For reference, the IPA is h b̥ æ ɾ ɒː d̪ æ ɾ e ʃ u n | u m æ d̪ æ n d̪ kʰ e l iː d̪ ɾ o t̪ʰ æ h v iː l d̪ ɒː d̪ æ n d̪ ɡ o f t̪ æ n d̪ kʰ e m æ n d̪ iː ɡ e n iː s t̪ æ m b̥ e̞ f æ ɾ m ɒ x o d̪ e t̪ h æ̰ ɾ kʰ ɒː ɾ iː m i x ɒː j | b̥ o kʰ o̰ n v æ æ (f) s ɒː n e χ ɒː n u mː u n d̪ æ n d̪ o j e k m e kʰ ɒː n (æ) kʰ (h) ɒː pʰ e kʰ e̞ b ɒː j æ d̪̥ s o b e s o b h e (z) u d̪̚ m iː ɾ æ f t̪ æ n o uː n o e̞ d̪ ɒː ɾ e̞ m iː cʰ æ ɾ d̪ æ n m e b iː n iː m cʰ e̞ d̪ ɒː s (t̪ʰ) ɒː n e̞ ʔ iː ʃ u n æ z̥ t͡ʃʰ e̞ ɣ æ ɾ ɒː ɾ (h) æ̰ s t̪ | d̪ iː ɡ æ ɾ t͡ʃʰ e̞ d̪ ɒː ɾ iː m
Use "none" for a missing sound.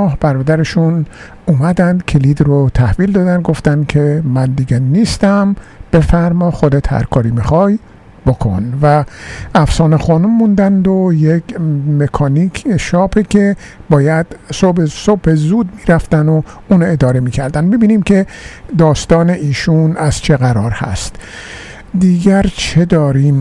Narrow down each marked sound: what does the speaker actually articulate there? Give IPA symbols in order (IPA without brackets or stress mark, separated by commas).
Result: f, i, ʃ, z, t̪, h